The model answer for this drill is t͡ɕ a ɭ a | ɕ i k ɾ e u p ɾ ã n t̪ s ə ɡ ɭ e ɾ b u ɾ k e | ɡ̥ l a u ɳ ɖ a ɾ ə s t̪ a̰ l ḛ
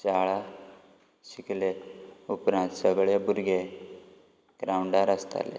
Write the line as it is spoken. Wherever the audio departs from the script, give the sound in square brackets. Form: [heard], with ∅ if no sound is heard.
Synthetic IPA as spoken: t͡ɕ a ɭ a | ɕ i k [l] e u p ɾ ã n t̪ s ə ɡ ɭ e [∅] b u ɾ [ɡ] e | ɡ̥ [ɾ] a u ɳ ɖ a ɾ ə s t̪ a̰ l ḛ